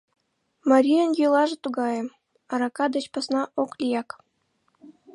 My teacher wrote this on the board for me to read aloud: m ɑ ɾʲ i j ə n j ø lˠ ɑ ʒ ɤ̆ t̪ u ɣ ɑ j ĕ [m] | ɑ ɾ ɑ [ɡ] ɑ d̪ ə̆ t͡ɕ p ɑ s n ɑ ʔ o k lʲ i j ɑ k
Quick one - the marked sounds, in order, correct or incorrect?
correct, incorrect: k

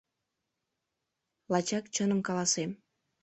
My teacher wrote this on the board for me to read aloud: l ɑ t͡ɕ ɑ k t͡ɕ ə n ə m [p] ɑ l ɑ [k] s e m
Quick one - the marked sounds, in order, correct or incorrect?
incorrect: k, incorrect: none

